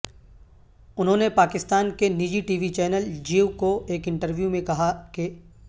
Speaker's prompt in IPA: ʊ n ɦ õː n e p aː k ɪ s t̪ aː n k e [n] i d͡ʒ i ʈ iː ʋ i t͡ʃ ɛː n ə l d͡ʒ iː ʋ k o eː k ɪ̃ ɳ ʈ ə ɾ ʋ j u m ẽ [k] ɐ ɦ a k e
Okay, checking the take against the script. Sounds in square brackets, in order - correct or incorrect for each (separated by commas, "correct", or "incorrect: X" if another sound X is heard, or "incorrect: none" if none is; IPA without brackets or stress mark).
correct, correct